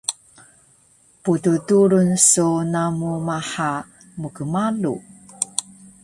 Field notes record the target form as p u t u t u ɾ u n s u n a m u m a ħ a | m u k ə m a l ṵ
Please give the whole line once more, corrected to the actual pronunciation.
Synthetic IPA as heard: p u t u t u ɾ u n s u n a m u m a ħ a | m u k ə m a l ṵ